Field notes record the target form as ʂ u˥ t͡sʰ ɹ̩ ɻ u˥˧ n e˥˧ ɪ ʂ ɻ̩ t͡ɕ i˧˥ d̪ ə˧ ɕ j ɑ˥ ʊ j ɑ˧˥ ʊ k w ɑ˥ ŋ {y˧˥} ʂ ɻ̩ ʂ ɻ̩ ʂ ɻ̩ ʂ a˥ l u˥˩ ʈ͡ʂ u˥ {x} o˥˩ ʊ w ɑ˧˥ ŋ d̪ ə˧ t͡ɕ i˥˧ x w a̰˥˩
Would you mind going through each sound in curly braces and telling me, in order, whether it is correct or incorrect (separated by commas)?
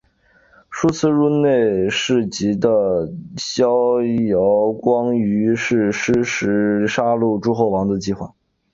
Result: correct, correct